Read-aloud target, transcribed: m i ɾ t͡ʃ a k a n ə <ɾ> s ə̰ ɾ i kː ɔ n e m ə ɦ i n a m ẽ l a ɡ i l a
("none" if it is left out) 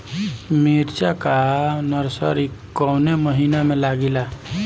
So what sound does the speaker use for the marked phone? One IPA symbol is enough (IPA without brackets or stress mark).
ɾ